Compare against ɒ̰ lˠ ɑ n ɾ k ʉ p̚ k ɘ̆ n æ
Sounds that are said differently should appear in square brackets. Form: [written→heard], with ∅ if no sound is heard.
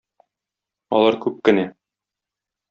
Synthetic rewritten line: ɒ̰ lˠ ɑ [n→∅] ɾ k ʉ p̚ k ɘ̆ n æ